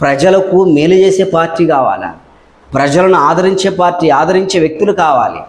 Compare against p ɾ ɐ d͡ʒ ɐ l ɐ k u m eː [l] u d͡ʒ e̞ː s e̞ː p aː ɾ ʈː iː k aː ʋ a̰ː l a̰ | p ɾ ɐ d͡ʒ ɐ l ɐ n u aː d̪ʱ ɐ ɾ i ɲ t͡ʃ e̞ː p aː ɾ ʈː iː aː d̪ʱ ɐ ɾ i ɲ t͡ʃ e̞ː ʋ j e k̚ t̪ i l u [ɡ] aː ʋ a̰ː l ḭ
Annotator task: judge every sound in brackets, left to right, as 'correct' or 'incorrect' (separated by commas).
correct, incorrect